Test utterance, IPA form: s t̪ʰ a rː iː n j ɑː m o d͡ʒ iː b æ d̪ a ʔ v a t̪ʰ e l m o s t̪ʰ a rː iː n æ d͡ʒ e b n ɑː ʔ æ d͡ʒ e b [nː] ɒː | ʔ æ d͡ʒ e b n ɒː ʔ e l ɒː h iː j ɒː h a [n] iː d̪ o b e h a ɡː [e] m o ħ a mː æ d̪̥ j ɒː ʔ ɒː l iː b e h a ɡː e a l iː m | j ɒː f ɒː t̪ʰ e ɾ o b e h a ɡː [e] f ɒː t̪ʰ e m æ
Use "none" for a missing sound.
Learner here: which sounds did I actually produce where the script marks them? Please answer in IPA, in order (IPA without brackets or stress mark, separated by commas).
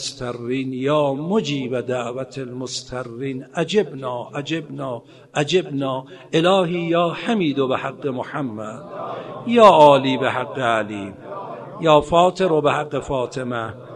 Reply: n, m, e, e